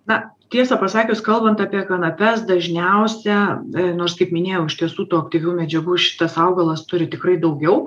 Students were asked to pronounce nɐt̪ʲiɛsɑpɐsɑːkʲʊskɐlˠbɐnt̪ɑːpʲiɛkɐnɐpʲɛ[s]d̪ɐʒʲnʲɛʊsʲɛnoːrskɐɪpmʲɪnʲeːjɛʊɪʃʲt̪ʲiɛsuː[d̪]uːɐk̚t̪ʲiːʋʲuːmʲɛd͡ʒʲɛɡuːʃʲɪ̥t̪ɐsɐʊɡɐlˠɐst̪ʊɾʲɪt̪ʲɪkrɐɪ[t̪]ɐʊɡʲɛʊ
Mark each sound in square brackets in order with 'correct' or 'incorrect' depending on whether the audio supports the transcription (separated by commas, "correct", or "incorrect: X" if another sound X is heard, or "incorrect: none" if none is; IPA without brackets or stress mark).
correct, incorrect: t̪, incorrect: d̪